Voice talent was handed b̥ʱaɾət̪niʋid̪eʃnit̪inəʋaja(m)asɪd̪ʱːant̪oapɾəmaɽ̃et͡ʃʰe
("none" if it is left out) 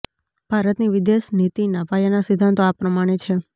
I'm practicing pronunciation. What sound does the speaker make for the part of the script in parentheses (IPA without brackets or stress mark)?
n